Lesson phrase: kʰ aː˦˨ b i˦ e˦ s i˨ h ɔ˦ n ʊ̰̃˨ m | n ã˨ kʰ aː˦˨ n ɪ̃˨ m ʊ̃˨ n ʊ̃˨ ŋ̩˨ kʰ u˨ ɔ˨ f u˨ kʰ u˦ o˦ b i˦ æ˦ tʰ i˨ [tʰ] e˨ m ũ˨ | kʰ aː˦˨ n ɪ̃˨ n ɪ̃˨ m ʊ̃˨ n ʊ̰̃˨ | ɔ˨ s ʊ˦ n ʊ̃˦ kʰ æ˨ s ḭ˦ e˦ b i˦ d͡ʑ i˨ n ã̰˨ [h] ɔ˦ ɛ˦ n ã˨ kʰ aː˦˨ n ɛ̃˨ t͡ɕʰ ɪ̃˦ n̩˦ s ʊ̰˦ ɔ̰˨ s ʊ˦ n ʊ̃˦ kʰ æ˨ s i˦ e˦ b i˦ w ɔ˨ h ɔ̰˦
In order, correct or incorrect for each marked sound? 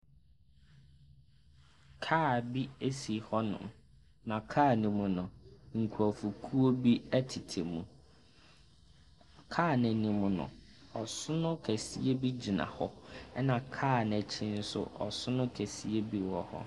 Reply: correct, correct

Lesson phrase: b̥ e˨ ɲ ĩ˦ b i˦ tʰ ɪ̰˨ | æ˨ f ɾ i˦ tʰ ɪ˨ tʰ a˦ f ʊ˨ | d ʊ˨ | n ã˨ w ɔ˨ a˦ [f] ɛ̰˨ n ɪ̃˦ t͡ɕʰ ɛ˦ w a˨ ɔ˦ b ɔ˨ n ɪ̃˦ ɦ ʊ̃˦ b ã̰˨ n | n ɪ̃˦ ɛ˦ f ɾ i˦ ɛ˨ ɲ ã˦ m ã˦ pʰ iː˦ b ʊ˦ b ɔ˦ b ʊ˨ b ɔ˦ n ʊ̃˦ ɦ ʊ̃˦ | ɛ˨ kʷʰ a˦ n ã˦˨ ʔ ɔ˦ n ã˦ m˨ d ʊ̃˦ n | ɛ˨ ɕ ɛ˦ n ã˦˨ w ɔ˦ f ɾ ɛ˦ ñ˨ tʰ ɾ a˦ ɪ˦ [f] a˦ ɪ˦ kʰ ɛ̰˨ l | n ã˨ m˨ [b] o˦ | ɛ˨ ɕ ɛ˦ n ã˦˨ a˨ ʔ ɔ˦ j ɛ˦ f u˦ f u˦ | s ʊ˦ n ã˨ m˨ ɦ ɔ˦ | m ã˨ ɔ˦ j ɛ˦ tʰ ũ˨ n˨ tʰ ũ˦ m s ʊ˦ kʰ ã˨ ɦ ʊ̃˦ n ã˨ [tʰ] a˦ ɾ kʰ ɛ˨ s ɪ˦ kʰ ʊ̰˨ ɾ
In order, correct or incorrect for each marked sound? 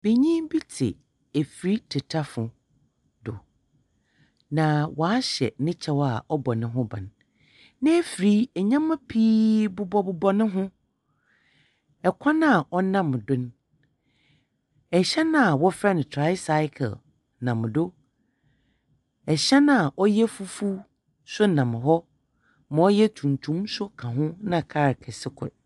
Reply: incorrect: ɕ, incorrect: s, incorrect: d, incorrect: kʰ

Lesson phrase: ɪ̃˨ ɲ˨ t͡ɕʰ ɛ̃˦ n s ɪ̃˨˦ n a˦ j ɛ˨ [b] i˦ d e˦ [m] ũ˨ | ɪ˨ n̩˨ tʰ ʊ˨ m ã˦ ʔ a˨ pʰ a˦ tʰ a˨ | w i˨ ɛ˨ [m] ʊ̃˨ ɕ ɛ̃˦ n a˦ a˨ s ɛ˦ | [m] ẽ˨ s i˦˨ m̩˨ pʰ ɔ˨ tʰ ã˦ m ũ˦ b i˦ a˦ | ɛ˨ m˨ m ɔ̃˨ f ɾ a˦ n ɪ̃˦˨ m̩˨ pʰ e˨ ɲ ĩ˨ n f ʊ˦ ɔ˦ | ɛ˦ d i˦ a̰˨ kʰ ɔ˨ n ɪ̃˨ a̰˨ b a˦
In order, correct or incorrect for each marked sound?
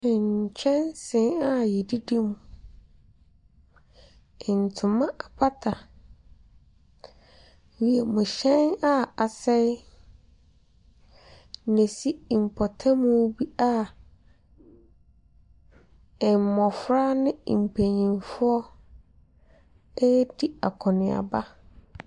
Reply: incorrect: d, correct, correct, incorrect: n

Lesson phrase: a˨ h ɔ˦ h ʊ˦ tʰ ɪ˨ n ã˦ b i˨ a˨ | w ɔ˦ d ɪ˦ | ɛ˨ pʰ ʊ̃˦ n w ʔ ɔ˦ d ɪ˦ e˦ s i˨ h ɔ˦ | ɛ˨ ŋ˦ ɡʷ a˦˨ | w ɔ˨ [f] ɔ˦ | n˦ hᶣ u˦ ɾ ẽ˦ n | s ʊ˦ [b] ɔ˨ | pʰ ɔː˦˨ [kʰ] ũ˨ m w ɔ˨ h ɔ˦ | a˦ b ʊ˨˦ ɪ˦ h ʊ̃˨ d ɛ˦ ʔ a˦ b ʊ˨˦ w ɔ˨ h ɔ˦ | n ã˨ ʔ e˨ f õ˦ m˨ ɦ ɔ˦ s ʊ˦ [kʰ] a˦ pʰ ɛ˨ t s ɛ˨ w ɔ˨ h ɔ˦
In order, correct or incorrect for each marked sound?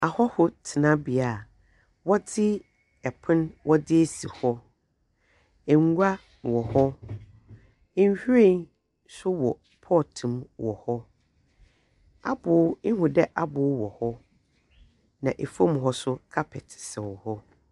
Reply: incorrect: h, incorrect: w, incorrect: tʰ, correct

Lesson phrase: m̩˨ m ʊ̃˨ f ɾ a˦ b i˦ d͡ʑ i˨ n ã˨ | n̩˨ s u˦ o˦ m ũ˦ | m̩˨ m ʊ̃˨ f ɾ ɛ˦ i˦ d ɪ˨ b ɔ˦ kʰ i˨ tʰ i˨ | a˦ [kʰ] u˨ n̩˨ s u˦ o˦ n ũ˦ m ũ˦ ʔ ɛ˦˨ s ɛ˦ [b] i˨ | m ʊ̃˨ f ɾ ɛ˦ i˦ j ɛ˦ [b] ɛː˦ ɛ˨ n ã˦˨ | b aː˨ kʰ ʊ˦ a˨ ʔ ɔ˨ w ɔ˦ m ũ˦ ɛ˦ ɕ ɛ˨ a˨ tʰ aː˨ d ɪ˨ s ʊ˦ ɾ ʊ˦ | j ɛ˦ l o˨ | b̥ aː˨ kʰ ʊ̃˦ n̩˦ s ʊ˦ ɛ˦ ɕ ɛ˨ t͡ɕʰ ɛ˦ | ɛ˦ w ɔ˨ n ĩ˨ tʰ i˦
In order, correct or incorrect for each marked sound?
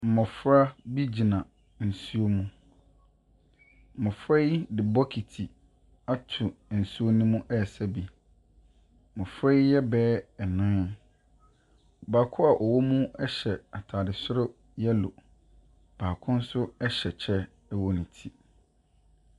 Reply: incorrect: tʰ, correct, correct

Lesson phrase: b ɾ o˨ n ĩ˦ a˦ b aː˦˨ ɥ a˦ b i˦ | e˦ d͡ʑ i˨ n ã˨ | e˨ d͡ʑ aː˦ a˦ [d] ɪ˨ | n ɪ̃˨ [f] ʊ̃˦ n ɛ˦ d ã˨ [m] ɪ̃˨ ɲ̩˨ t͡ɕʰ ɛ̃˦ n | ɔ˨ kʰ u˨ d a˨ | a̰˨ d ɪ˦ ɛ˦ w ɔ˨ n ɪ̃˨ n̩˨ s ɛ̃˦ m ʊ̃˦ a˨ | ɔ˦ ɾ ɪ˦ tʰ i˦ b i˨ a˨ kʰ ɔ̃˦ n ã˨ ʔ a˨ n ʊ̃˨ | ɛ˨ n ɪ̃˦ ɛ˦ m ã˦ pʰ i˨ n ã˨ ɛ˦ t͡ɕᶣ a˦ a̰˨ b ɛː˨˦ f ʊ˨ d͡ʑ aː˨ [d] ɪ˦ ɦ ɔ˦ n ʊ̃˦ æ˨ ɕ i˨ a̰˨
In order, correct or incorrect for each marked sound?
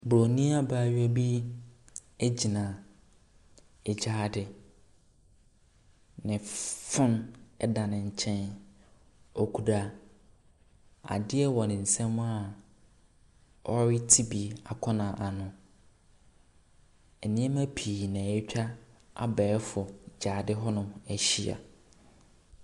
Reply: correct, correct, incorrect: n, correct

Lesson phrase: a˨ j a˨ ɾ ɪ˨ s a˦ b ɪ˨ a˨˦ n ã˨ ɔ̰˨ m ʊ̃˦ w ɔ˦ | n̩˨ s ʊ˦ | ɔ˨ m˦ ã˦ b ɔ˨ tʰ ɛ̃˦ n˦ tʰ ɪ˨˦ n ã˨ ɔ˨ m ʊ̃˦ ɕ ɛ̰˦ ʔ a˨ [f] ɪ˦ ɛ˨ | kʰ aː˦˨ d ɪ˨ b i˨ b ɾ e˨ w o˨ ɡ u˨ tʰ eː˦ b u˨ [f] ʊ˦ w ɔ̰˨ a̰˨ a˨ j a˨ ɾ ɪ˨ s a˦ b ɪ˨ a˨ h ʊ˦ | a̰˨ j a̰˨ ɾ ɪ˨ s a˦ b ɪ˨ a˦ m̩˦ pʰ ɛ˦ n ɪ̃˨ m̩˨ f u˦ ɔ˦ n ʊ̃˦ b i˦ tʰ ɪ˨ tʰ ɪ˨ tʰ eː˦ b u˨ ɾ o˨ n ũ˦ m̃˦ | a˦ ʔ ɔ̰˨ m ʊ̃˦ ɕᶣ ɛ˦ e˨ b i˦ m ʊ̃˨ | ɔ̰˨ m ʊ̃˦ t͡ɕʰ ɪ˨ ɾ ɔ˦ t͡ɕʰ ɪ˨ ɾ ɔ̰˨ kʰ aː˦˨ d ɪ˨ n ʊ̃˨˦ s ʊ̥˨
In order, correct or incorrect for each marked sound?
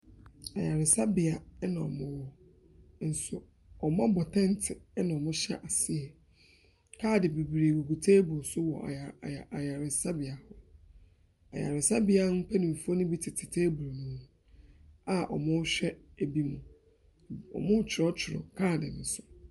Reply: incorrect: s, incorrect: s

